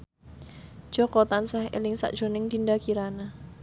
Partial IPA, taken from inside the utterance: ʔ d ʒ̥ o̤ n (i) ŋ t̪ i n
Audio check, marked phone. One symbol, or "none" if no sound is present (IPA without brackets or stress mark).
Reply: ɪ